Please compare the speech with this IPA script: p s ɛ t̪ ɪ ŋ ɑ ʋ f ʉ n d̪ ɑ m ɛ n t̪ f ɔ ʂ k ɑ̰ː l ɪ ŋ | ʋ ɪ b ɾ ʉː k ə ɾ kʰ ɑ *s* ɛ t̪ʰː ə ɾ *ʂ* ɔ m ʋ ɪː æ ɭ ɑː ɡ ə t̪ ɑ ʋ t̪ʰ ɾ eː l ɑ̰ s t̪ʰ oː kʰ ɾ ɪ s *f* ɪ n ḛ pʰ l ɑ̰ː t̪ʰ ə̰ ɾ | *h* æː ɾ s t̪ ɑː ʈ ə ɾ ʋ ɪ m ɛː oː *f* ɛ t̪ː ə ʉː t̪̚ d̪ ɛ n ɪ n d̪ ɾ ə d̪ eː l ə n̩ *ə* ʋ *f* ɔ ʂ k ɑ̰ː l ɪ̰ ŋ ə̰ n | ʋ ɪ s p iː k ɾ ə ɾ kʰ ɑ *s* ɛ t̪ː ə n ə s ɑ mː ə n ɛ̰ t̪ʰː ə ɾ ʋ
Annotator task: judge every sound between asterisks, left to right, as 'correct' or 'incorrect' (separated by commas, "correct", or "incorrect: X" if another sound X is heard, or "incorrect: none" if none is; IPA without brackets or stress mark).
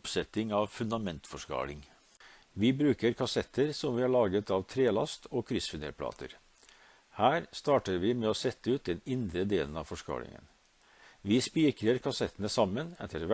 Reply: correct, incorrect: s, correct, correct, incorrect: s, incorrect: ɑ, correct, correct